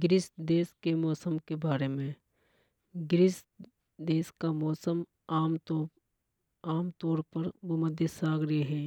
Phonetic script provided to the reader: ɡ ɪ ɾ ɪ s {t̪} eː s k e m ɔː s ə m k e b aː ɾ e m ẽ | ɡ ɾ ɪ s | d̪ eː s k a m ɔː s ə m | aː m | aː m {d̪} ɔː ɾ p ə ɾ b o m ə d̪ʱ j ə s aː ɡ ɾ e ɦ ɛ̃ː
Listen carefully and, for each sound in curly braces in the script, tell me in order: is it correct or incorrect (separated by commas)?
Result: incorrect, incorrect